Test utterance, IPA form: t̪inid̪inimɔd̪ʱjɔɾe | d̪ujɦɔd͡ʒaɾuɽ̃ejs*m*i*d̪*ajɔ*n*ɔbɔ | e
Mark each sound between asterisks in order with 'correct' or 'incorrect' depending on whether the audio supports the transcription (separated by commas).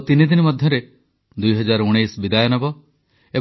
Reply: incorrect, correct, correct